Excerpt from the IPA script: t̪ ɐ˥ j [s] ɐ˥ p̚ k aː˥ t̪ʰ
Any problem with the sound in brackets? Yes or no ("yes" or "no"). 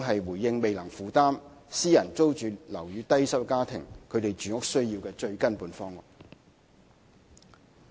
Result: no